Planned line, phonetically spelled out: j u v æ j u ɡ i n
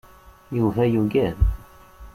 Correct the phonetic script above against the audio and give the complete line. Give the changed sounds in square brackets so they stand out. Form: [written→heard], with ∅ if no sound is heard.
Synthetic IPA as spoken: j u v æ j u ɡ [i→æ] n